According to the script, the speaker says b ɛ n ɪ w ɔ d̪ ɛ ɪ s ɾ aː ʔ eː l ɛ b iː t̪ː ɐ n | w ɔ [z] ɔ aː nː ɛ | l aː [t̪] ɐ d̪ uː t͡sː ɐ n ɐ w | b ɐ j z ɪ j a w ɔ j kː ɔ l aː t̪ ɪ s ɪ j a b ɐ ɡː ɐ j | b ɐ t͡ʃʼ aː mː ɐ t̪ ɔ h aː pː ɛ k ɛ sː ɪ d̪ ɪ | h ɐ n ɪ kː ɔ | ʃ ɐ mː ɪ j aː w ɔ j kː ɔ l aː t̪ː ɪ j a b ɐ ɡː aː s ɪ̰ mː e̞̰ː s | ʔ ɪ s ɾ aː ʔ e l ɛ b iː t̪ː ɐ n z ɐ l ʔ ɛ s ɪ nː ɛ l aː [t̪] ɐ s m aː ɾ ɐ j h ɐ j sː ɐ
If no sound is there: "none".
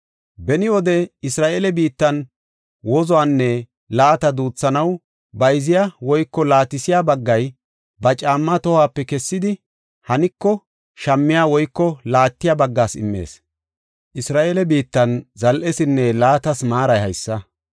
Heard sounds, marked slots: z, t̪, t̪

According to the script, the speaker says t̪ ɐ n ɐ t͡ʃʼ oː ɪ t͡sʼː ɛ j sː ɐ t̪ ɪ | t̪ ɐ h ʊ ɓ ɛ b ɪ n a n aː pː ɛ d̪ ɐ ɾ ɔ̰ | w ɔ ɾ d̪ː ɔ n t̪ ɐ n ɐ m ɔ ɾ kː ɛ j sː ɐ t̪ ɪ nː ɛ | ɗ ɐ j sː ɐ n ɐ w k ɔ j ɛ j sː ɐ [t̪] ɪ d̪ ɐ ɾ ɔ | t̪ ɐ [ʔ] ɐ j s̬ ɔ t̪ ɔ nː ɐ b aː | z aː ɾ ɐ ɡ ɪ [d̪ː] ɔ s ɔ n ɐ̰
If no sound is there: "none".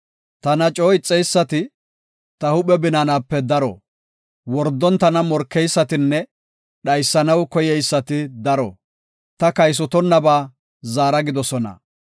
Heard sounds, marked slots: t̪, k, d̪

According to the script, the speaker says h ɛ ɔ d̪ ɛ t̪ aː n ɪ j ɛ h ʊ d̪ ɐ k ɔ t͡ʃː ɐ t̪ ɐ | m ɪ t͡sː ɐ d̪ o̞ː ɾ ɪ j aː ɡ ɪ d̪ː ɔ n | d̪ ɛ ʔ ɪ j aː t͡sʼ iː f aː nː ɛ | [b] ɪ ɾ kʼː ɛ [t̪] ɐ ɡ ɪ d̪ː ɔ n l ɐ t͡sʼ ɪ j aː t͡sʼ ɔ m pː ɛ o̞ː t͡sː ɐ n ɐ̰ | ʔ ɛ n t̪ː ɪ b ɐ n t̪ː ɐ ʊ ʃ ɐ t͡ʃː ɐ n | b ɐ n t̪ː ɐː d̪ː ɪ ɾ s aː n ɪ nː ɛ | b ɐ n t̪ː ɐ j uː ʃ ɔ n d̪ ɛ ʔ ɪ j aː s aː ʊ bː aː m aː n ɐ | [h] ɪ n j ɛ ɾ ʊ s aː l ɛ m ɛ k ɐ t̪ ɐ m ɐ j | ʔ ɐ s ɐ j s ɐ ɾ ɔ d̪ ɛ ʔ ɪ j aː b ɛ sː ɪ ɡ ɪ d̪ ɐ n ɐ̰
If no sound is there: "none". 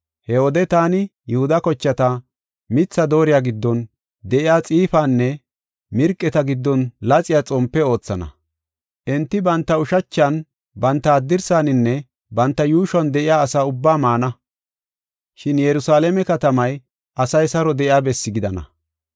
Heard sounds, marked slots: m, t̪, ʃ

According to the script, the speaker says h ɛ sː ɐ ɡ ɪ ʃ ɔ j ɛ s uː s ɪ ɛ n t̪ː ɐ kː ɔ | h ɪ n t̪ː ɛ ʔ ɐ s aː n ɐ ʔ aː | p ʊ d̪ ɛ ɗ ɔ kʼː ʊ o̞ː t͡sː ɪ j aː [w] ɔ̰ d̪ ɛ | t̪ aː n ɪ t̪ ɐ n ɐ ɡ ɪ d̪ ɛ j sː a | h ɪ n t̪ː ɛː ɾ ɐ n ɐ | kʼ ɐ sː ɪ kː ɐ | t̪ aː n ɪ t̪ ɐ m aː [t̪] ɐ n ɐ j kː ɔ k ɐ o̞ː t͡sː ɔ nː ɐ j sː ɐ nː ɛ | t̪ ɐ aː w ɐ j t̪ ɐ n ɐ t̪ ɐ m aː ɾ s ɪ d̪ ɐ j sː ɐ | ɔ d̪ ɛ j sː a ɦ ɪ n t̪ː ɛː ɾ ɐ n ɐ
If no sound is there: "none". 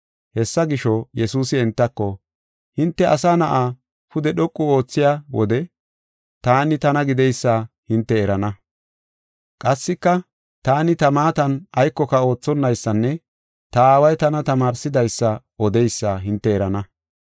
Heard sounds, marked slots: w, t̪

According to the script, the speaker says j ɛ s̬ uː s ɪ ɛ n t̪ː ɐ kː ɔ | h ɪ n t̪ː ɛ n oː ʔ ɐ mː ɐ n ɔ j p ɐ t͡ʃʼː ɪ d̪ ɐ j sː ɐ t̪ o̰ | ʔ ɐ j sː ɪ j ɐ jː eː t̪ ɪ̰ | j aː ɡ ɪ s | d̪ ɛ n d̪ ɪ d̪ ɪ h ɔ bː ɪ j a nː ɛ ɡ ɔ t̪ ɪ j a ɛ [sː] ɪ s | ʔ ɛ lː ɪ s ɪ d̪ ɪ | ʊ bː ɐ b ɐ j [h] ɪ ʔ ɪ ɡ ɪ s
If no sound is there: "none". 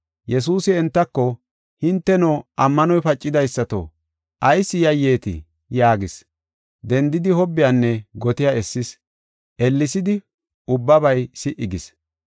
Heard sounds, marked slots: sː, s

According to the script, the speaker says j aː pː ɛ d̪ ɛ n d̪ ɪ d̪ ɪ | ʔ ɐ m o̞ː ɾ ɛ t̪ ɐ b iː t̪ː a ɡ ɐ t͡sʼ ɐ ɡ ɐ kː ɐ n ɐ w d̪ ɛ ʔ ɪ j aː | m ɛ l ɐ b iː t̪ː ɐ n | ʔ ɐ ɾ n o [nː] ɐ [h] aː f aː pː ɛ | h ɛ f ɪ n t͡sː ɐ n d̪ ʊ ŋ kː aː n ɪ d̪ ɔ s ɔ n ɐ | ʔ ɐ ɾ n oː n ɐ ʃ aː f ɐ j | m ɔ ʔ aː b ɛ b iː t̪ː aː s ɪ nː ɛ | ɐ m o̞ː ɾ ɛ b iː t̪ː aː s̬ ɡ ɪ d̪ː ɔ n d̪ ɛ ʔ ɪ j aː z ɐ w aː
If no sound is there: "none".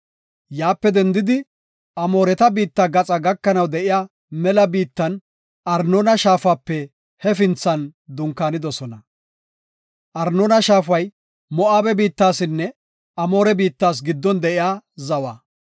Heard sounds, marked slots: n, ʃ

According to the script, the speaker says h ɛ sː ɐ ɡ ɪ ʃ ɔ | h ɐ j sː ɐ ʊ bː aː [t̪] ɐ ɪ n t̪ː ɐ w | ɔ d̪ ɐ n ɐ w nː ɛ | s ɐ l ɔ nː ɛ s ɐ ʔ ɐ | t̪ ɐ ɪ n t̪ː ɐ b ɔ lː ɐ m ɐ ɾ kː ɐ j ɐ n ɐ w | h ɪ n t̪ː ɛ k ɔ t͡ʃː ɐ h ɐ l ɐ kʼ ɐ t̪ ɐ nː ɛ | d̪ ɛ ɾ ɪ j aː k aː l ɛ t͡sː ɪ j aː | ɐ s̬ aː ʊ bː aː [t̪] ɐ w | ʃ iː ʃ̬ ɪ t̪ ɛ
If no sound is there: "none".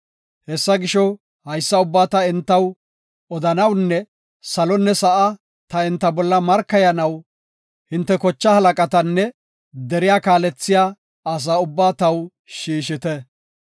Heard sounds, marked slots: t̪, t̪

